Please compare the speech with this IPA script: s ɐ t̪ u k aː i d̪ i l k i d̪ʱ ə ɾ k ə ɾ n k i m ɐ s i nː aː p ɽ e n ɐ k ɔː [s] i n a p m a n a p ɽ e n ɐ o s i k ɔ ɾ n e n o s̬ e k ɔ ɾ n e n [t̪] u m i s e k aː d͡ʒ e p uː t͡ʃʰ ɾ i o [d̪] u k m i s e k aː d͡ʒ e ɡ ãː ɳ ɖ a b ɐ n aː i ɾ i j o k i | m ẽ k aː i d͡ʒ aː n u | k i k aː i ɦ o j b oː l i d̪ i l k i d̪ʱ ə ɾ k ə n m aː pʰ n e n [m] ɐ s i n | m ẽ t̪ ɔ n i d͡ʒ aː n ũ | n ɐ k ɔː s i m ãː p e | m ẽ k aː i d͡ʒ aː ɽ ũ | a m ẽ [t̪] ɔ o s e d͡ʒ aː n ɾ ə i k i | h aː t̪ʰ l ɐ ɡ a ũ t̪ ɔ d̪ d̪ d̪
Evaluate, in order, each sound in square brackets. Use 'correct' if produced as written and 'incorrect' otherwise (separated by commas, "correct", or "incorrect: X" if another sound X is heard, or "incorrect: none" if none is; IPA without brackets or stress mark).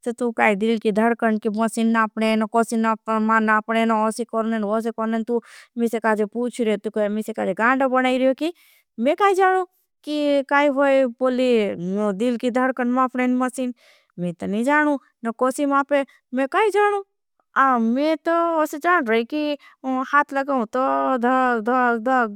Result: correct, correct, incorrect: t̪, correct, correct